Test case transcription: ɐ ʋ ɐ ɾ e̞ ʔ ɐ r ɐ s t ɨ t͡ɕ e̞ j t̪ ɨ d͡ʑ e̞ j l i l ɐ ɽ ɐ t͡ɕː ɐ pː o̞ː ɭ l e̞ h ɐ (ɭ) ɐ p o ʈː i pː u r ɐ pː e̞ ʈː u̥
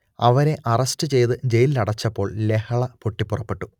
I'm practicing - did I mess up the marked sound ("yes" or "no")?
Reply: no